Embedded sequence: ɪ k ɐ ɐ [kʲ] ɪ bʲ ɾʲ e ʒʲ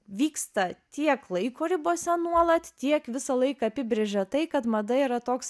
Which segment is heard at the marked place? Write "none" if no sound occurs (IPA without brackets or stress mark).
pʲ